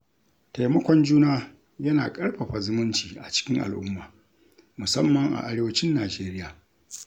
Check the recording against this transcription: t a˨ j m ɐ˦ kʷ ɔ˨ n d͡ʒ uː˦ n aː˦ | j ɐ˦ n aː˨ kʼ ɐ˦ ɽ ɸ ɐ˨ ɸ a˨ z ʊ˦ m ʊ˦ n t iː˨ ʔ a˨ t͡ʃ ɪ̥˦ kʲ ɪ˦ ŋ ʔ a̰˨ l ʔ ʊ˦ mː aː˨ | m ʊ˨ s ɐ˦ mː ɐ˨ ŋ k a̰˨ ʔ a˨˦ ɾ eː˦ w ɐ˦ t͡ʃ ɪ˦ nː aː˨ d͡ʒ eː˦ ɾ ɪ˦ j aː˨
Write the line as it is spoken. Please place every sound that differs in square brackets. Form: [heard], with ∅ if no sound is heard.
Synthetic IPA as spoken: t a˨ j m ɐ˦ kʷ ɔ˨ n d͡ʒ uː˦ n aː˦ | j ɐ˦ n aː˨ kʼ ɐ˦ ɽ ɸ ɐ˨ ɸ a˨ z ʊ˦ m ʊ˦ n [t͡ʃ] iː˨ ʔ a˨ t͡ʃ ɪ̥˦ kʲ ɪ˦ ŋ ʔ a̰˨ l ʔ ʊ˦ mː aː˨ | m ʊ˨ s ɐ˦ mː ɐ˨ ŋ [ʔ] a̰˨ ʔ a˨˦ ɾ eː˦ w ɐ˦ t͡ʃ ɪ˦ nː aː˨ d͡ʒ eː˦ ɾ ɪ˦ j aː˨